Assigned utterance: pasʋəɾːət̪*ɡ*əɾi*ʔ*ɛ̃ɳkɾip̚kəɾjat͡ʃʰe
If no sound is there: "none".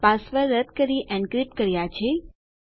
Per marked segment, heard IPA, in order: k, ʔ

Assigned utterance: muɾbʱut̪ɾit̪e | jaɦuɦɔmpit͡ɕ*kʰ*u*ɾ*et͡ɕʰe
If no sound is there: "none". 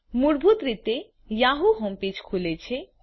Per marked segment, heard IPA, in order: kʰ, l

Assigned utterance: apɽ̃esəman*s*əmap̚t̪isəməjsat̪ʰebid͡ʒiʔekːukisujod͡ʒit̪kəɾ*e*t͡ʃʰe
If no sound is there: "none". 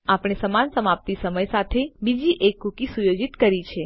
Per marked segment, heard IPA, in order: s, i

